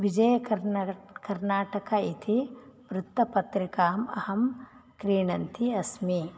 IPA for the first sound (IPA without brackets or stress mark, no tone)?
ʋ